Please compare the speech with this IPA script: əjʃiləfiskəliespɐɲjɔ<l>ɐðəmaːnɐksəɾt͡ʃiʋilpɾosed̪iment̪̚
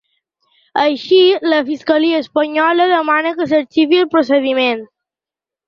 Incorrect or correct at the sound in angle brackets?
correct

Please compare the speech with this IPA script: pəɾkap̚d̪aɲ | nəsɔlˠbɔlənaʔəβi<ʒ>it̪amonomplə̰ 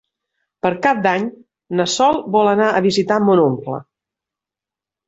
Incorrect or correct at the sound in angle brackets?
incorrect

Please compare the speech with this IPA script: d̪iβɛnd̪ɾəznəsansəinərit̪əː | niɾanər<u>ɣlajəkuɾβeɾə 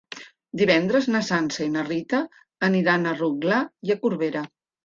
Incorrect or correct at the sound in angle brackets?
correct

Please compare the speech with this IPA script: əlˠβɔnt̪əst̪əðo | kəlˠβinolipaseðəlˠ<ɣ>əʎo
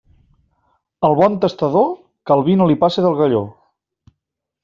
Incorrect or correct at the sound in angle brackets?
correct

